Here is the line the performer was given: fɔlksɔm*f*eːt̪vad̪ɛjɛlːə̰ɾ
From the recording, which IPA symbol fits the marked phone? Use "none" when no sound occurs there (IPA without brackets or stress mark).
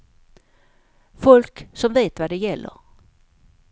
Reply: v